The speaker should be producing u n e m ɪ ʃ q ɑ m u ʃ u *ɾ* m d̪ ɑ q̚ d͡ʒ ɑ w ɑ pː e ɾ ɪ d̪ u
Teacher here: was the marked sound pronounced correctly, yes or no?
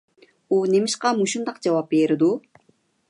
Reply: no